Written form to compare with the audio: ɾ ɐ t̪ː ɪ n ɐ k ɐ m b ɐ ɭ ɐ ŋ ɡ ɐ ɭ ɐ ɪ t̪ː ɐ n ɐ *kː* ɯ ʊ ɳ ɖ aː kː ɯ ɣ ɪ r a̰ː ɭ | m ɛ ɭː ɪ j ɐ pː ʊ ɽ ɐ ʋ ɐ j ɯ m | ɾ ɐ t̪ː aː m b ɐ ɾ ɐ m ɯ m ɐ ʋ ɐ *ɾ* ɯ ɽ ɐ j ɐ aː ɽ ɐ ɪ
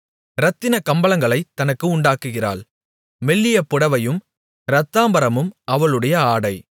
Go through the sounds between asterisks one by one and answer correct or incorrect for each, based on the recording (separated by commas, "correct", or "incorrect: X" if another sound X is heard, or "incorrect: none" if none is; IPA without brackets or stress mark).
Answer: correct, incorrect: ɭ